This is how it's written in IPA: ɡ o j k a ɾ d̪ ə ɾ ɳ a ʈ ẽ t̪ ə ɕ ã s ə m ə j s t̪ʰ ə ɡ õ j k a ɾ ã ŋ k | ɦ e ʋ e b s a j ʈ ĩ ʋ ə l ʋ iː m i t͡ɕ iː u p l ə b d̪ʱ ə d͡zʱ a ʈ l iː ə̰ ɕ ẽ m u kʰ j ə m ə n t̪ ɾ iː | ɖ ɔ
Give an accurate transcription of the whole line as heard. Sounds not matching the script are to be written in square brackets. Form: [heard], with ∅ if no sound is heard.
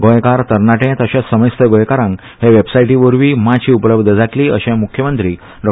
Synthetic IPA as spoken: ɡ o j k a ɾ [t̪] ə ɾ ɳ a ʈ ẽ t̪ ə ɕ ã s ə m ə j s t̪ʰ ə ɡ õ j k a ɾ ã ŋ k | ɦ e ʋ e b s a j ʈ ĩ ʋ ə [ɾ] ʋ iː m [a] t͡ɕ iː u p l ə b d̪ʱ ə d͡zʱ a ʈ l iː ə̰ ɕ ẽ m u kʰ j ə m ə n t̪ ɾ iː | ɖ ɔ